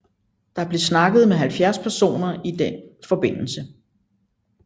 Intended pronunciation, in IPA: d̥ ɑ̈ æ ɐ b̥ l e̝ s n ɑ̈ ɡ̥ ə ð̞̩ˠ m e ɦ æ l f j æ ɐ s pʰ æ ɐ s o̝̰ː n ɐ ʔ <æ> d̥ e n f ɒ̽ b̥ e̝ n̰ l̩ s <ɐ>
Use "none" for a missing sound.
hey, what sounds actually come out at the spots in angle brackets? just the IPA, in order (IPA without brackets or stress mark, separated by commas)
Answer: i, ə